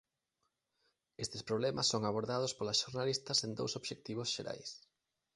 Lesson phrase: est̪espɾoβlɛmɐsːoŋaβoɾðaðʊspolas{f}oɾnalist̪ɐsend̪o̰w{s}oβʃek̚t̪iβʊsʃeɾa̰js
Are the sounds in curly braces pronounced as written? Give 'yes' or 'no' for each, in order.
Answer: no, yes

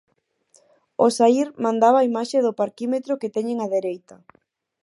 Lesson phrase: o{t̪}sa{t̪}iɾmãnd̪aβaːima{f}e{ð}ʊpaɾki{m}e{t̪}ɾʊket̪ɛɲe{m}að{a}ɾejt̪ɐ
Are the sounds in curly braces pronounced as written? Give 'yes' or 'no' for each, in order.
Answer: no, no, no, yes, yes, yes, no, no

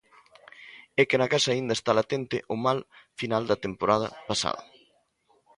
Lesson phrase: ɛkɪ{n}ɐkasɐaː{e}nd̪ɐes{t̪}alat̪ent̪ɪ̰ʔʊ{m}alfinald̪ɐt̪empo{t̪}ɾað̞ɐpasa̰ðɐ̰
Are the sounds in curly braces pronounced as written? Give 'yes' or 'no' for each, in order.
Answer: yes, no, yes, yes, no

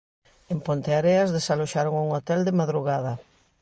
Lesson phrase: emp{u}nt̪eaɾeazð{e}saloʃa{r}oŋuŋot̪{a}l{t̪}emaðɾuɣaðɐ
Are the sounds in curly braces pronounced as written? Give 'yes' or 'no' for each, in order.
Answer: no, yes, no, no, no

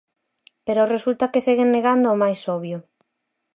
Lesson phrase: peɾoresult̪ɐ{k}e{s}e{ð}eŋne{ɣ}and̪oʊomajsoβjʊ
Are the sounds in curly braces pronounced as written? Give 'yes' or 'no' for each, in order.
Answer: yes, yes, no, yes

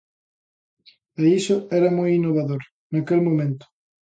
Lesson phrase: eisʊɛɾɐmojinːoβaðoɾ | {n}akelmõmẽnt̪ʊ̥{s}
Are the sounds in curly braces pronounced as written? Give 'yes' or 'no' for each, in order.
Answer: yes, no

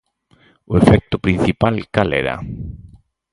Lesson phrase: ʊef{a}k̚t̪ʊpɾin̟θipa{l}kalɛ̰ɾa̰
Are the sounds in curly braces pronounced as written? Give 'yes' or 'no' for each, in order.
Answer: no, yes

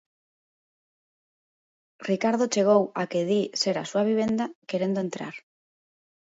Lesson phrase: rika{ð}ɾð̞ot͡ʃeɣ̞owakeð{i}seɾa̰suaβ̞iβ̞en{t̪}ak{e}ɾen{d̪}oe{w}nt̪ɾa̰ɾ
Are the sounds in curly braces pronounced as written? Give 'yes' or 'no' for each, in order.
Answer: no, yes, no, yes, yes, no

